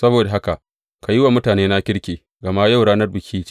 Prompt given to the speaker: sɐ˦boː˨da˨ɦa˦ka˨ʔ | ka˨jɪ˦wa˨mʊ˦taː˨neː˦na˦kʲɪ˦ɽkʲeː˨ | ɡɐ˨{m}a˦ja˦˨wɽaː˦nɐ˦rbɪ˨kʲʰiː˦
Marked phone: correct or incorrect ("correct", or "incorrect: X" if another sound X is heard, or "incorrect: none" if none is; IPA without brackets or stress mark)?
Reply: correct